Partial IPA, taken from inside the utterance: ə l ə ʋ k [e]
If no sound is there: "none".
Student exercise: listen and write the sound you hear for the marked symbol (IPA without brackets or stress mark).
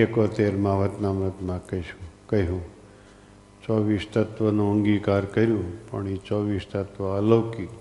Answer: i